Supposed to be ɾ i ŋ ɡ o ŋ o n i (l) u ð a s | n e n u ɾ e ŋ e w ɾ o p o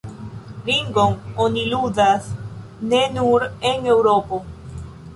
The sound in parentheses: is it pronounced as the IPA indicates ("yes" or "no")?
yes